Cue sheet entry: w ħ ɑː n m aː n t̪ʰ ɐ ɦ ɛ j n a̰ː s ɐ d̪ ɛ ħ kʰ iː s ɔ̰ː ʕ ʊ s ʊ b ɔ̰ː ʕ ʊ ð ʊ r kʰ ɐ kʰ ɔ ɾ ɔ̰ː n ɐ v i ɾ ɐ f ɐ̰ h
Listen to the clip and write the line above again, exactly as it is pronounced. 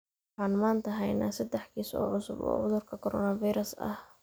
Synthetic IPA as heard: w ħ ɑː n m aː n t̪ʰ ɐ ɦ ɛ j n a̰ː s ɐ d̪ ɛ ħ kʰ iː s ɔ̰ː ʕ ʊ s ʊ b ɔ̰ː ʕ ʊ ð ʊ r kʰ ɐ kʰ ɔ ɾ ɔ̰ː n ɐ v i ɾ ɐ s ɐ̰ h